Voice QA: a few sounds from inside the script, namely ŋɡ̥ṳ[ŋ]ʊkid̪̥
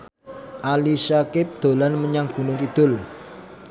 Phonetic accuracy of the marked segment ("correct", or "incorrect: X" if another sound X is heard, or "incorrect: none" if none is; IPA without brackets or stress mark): incorrect: n